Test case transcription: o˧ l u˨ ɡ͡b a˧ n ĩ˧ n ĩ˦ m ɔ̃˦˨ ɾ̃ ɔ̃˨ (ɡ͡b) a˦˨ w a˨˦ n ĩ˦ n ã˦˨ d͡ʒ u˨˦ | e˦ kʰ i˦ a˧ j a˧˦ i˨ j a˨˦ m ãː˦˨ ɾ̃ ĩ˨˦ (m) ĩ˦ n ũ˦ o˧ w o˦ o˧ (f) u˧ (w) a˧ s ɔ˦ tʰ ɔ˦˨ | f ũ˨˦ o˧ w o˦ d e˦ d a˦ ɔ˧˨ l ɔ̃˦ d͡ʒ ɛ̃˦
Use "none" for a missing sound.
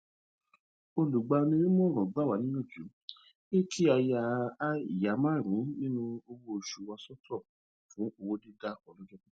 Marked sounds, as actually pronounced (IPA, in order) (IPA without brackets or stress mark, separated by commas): ɡ͡b, n, ʃ, w